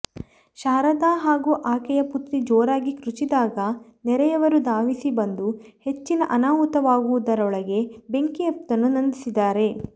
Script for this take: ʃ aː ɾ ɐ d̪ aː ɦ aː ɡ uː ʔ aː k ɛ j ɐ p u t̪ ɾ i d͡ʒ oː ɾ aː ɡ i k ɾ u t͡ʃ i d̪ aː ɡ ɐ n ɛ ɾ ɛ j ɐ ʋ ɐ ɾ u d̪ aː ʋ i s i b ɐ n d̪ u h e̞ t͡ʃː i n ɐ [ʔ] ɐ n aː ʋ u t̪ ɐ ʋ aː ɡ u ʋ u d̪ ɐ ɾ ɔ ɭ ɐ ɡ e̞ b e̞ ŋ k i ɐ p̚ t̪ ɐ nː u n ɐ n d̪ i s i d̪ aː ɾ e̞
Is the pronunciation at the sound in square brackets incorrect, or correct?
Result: correct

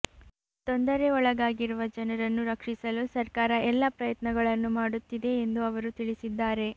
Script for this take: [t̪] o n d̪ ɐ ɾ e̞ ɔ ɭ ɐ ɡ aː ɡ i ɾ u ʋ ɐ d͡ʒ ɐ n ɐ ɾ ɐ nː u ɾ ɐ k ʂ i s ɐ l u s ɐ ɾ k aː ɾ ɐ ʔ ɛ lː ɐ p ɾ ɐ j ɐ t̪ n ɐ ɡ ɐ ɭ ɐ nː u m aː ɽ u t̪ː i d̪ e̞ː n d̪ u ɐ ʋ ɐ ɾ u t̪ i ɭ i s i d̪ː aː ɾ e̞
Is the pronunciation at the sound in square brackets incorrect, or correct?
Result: correct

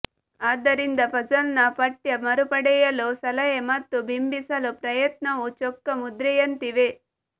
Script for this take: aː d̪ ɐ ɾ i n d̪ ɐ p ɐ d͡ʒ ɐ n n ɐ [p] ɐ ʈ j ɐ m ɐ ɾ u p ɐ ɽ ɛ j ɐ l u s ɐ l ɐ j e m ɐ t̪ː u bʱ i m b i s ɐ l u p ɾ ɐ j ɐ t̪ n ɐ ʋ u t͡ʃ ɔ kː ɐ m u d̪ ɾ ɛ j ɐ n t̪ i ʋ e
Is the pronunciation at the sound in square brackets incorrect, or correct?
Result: correct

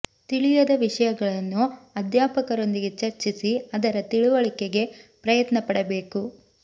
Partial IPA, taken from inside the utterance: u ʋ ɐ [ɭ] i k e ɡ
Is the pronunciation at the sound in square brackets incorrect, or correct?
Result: correct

